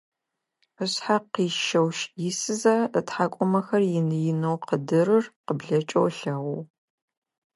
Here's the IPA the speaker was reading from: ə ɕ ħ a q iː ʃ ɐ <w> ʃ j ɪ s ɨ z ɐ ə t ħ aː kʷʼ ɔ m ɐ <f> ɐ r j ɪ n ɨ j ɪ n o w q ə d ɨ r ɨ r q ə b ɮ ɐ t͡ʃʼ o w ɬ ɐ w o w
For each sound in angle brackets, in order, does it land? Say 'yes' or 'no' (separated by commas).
yes, no